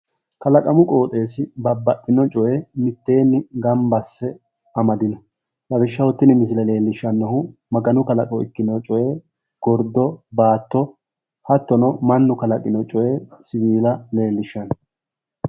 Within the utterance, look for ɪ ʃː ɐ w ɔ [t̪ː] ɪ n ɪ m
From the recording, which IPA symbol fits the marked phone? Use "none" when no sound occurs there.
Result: t̪ː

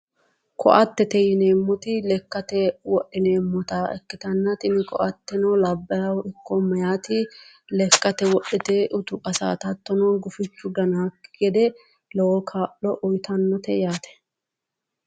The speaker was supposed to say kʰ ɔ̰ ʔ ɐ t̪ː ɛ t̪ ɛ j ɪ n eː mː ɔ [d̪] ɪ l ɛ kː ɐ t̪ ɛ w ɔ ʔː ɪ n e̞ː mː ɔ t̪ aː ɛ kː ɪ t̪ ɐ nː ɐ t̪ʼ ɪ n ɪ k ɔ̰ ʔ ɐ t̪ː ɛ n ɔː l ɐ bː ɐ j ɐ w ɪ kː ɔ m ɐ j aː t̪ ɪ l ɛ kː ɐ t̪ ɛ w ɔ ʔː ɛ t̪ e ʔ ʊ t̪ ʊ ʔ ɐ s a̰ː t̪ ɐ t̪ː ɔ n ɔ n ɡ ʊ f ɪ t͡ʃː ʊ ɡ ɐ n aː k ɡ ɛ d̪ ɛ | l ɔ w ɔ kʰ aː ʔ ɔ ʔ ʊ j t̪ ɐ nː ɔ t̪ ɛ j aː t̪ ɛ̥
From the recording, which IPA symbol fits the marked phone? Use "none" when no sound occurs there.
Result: t̪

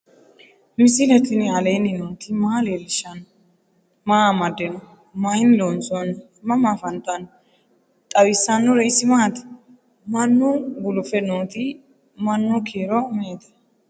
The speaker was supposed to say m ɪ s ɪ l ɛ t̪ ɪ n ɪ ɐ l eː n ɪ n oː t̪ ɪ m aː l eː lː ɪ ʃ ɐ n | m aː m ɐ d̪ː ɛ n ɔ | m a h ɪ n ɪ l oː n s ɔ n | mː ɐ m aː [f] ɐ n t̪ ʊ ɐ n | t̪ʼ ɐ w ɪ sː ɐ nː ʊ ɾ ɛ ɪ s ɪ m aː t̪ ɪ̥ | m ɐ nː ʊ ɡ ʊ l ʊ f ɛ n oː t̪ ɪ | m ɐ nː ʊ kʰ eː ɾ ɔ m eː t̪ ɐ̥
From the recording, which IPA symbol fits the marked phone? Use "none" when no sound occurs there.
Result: f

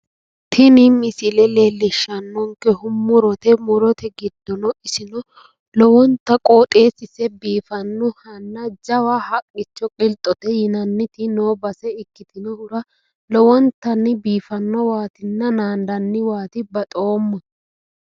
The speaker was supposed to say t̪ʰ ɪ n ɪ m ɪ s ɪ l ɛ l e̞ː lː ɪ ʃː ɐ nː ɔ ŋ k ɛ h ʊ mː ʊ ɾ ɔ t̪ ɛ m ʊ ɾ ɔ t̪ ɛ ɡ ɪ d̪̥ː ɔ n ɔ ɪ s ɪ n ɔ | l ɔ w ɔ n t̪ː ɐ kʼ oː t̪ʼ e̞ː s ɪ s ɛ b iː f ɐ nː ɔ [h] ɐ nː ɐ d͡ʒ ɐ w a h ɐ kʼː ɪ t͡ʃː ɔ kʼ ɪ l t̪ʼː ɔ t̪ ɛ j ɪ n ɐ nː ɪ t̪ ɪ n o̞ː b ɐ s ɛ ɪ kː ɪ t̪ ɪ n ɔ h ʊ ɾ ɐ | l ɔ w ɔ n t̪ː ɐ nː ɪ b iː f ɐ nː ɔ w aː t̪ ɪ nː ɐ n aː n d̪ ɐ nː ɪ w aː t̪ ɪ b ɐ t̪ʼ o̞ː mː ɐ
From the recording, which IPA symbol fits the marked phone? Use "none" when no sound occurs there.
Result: h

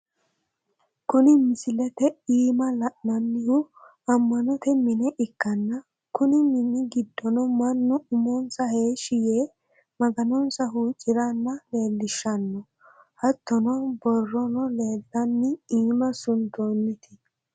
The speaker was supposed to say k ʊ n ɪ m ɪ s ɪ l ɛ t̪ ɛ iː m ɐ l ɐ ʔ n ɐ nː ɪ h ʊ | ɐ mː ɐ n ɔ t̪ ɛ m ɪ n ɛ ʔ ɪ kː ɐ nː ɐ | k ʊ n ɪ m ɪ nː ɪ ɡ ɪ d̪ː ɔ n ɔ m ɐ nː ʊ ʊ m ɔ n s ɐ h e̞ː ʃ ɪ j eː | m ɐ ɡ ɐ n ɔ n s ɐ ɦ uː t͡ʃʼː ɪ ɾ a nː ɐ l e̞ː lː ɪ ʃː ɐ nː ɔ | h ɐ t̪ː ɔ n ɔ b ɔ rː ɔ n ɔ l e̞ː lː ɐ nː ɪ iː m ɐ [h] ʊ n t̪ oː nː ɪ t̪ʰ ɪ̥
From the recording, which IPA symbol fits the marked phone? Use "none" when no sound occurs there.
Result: s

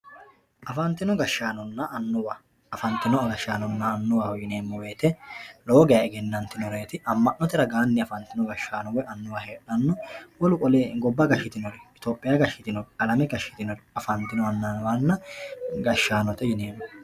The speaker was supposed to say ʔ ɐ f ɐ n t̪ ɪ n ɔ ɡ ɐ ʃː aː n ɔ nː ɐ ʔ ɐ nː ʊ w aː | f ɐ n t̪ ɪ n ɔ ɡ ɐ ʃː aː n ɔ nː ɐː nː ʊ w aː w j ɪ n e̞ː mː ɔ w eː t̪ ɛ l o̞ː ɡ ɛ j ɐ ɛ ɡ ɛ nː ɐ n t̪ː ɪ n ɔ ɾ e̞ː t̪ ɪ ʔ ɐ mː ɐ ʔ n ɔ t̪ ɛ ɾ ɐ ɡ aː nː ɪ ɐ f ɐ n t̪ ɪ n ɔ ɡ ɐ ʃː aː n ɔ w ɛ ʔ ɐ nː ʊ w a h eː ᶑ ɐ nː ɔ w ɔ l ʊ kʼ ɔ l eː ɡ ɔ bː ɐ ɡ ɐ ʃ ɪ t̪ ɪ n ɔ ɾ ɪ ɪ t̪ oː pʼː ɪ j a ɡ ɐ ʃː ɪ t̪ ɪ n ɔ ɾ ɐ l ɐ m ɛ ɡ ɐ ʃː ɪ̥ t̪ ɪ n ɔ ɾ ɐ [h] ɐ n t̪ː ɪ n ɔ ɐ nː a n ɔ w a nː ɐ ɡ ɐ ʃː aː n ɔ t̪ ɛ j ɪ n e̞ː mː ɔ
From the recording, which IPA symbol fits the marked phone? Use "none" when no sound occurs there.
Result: f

